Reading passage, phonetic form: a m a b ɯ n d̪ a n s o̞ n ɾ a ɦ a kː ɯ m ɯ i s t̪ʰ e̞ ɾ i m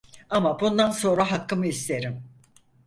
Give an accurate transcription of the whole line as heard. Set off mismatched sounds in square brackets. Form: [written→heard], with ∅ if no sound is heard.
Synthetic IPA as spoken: a m a b [ɯ→u] n d̪ a n s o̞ n ɾ a ɦ a kː ɯ m ɯ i s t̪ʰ e̞ ɾ i m